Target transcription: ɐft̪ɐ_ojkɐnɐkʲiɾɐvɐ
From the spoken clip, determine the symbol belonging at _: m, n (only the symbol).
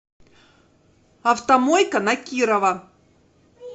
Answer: m